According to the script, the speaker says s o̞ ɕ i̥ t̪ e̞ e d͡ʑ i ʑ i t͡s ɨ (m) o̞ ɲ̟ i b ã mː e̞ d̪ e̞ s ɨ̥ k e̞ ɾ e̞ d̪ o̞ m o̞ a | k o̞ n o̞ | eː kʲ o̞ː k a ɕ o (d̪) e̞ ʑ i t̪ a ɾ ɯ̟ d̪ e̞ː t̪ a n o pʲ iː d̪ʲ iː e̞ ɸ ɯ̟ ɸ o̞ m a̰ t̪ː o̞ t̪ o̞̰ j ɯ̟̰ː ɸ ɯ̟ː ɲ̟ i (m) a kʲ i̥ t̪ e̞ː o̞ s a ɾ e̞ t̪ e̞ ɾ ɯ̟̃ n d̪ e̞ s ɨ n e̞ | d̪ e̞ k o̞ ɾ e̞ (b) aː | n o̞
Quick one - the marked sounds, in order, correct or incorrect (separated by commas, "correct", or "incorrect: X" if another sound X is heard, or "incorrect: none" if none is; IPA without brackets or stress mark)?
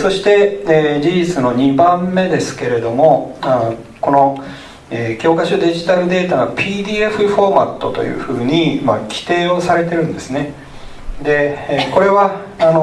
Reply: incorrect: n, correct, correct, incorrect: β